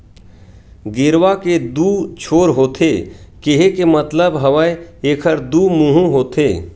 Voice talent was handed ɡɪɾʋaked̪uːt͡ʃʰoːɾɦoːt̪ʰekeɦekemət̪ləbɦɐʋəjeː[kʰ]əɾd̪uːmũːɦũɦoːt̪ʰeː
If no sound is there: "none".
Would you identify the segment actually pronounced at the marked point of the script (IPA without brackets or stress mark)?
kʰ